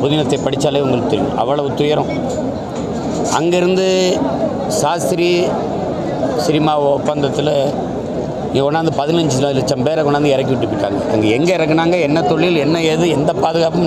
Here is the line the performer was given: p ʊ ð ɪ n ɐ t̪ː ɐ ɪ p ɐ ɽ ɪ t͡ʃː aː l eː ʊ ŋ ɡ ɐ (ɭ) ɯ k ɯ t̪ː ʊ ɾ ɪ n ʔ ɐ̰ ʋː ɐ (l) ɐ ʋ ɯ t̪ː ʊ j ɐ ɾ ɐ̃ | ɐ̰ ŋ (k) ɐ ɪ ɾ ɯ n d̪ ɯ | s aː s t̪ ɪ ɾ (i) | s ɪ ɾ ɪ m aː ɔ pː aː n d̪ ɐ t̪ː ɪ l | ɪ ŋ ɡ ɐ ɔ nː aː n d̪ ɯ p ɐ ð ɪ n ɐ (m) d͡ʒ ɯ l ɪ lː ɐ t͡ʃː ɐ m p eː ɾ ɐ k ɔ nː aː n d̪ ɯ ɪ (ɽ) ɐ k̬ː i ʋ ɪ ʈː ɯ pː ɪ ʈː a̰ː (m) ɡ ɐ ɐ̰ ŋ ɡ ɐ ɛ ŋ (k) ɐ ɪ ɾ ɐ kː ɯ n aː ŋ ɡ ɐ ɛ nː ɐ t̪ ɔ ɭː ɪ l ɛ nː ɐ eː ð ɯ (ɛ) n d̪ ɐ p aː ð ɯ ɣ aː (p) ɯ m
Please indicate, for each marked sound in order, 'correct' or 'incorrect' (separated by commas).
correct, incorrect, incorrect, correct, incorrect, incorrect, incorrect, incorrect, correct, correct